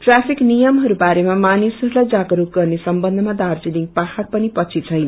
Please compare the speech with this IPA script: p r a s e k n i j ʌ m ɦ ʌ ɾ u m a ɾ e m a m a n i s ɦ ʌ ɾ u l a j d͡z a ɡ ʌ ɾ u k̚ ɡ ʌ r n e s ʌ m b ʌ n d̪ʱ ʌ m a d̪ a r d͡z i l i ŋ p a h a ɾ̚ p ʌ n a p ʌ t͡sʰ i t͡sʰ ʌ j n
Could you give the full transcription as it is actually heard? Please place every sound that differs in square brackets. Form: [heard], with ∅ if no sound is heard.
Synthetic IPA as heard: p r a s [i] k n i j ʌ m ɦ ʌ ɾ u [b] a ɾ e m a m a n i s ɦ ʌ ɾ u l a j d͡z a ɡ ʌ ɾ u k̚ ɡ ʌ r n e s ʌ m b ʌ n d̪ʱ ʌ m a d̪ a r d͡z i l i ŋ p a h a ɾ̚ p ʌ n [i] p ʌ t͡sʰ i t͡sʰ ʌ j n

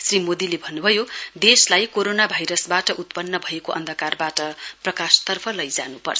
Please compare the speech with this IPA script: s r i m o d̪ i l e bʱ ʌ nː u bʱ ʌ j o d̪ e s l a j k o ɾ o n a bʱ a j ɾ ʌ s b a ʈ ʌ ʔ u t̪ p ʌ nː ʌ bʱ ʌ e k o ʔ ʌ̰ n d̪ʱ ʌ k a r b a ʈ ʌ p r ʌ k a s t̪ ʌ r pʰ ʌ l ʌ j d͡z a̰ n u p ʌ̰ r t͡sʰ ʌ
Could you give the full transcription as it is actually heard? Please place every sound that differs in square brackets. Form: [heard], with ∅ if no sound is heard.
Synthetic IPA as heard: s r i m o d̪ i l e bʱ ʌ nː u bʱ ʌ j o d̪ e s l a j k o ɾ o n a bʱ a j ɾ ʌ s b a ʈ ʌ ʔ u t̪ p ʌ nː ʌ bʱ ʌ e k o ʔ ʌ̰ n d̪ʱ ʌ k a r b a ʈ ʌ p r ʌ k a s t̪ ʌ r pʰ ʌ l ʌ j d͡z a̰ n u p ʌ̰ r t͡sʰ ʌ

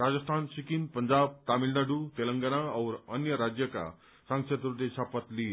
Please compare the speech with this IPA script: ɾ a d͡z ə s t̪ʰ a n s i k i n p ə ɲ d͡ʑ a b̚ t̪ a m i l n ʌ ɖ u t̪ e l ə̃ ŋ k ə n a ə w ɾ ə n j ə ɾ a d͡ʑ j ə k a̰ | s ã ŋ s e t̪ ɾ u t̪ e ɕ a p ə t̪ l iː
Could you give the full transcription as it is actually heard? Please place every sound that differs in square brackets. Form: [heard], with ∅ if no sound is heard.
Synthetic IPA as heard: ɾ a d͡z ə s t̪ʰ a n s i k i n p ə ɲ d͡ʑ a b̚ t̪ a m i l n [a] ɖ u t̪ e l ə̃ ŋ [ɡ] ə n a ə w ɾ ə n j ə ɾ a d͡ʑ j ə k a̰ | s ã ŋ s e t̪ ɾ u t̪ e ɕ a p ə t̪ l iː

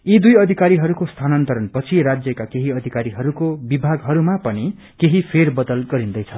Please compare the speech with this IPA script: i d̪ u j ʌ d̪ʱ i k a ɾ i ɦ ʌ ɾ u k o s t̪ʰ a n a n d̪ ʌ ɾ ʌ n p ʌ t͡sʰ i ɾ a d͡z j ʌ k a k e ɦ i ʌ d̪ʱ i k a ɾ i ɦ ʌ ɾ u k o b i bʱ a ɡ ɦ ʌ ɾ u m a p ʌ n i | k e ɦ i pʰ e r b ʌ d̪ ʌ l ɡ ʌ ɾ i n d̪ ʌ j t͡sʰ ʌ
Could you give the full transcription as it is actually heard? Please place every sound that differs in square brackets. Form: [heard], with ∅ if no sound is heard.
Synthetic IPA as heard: i d̪ u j ʌ d̪ʱ i k a ɾ i ɦ ʌ ɾ u k o s t̪ʰ a n [ʌ] n [t̪] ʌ ɾ ʌ n p ʌ t͡sʰ i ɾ a d͡z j ʌ k a k e ɦ i ʌ d̪ʱ i k a ɾ i ɦ ʌ ɾ u k o b i bʱ a ɡ ɦ ʌ ɾ u m a p ʌ n i | k e ɦ i pʰ e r b ʌ d̪ ʌ l ɡ ʌ ɾ i n d̪ ʌ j t͡sʰ ʌ

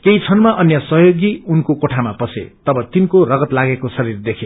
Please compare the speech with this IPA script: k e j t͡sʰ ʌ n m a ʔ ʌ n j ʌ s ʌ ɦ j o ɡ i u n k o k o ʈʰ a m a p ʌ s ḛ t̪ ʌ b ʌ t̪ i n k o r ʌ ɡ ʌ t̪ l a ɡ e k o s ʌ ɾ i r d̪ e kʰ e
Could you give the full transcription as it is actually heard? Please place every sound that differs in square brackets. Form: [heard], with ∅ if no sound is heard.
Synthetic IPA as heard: k e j t͡sʰ ʌ n m a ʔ ʌ n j ʌ s ʌ ɦ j o ɡ i u n k o k o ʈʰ a m a p ʌ s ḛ t̪ ʌ b ʌ t̪ i n k o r ʌ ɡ ʌ t̪ l a ɡ e k o s ʌ ɾ i r d̪ e kʰ e

